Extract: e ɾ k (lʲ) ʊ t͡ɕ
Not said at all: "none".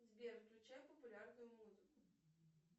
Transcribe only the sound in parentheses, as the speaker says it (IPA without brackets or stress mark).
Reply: lʲ